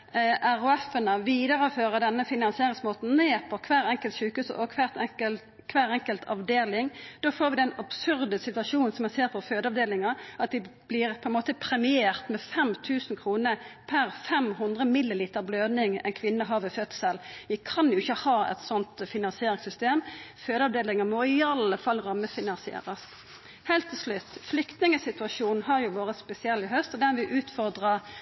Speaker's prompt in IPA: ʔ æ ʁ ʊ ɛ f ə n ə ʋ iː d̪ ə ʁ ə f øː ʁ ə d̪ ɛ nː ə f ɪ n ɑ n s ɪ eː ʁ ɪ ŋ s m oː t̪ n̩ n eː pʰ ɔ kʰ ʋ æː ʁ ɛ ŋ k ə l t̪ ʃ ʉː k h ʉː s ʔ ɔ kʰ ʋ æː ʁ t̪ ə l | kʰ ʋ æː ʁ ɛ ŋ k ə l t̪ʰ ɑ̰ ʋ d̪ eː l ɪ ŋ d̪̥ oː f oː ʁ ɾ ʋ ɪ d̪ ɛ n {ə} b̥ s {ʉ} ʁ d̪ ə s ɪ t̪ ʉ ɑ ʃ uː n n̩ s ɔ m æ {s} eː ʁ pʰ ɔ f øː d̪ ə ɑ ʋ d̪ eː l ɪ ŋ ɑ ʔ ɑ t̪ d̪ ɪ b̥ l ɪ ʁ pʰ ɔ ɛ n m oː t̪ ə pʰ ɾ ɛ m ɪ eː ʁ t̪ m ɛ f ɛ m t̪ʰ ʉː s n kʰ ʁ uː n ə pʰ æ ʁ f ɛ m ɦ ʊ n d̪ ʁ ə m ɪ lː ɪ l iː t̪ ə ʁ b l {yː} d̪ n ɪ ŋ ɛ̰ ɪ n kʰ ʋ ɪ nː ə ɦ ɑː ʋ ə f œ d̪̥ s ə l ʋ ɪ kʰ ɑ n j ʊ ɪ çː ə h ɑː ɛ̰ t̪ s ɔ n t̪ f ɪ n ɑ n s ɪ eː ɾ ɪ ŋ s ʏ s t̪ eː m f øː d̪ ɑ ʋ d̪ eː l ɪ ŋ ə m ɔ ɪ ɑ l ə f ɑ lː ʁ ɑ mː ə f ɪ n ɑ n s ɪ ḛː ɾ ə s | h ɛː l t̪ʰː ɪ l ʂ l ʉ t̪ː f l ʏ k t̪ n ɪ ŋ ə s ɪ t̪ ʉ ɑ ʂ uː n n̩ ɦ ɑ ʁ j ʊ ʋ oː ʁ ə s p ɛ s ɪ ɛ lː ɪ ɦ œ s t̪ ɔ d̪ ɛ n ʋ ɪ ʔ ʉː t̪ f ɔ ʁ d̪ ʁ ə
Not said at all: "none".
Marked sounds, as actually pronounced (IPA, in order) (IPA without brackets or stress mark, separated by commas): ɑ, ʉ, s, øː